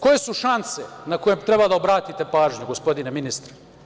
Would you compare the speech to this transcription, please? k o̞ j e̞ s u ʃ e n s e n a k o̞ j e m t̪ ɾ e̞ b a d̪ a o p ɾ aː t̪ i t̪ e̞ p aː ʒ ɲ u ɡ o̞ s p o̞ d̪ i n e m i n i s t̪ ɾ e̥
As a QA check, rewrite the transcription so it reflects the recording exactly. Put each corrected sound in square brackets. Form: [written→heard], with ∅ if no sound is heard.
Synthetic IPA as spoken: k o̞ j e̞ s u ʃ [e→a] n s e n a k o̞ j e m t̪ ɾ e̞ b a d̪ a o [p→b] ɾ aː t̪ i t̪ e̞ p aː ʒ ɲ u ɡ o̞ s p o̞ d̪ i n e m i n i s t̪ ɾ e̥